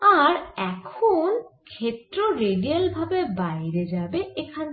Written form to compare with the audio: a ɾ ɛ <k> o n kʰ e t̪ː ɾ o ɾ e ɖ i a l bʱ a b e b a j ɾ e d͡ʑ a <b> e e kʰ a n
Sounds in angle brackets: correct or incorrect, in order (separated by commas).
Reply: incorrect, correct